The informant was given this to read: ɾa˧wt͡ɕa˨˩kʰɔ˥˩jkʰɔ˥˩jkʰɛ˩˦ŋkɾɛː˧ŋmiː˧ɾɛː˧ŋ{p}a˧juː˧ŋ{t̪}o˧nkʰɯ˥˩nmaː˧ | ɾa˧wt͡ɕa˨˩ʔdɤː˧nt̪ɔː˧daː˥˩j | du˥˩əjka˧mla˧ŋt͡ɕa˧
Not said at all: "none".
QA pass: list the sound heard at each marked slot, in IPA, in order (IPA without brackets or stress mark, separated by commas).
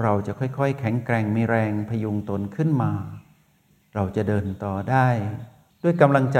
pʰ, t̪